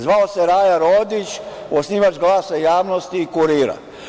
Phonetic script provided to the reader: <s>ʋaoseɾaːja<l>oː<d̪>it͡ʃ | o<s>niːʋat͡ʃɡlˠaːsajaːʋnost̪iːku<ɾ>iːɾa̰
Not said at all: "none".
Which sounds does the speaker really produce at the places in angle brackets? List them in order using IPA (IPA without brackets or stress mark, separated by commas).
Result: z, ɾ, d̪, s, ɾ